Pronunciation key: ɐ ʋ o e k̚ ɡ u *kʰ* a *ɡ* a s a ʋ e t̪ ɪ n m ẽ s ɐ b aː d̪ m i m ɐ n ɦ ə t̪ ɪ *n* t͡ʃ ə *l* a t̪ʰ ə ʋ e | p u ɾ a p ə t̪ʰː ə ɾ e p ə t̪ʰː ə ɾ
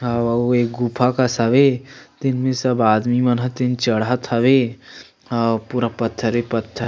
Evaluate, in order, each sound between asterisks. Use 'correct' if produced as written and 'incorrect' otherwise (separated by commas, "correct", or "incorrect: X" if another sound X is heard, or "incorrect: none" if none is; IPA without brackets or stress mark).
incorrect: pʰ, incorrect: k, correct, incorrect: ɽ